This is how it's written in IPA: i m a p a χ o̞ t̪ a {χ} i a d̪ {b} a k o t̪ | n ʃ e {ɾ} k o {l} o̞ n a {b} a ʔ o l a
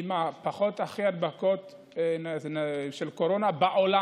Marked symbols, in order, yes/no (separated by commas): yes, yes, no, no, yes